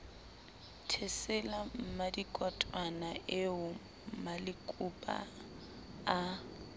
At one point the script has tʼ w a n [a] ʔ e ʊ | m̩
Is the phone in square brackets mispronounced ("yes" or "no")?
no